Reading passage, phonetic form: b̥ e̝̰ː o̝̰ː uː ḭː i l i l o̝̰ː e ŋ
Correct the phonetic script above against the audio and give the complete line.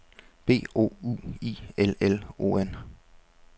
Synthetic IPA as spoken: b̥ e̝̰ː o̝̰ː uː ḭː e l e l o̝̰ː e n